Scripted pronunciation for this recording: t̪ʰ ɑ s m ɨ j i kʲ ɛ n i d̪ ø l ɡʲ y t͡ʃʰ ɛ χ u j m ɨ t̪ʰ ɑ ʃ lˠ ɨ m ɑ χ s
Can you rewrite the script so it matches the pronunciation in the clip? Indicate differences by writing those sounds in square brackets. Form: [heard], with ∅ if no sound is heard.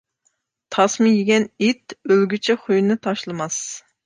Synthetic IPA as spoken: t̪ʰ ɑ s m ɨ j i [ɡʲ] ɛ n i [t̪] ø l ɡʲ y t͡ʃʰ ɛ χ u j [n] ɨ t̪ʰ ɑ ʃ lˠ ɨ m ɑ [∅] s